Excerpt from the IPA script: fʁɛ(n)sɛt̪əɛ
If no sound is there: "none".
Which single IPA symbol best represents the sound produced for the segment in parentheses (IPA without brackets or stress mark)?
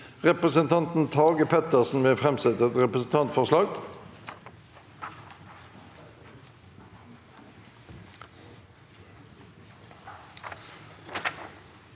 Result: m